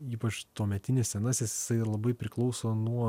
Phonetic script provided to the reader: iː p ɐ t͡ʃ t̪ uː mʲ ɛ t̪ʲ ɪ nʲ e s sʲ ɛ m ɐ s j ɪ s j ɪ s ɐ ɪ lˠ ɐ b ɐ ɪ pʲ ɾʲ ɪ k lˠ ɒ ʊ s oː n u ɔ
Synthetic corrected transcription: iː p ɐ t͡ʃ t̪ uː mʲ ɛ t̪ʲ ɪ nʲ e s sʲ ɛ n ɐ s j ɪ s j ɪ s ɐ ɪ lˠ ɐ b ɐ ɪ pʲ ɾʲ ɪ k lˠ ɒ ʊ s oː n u ɔ